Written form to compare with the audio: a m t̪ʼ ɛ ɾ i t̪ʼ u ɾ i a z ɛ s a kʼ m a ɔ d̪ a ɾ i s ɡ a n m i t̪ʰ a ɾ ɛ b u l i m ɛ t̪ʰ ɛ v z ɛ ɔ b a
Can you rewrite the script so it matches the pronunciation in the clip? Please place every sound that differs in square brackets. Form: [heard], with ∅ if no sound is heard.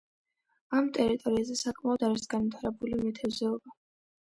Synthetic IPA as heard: a m t̪ʼ ɛ ɾ i t̪ʼ [ɔ] ɾ i a z ɛ s a kʼ m a ɔ d̪ a ɾ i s ɡ a n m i t̪ʰ a ɾ ɛ b u l i m ɛ t̪ʰ ɛ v z ɛ ɔ b a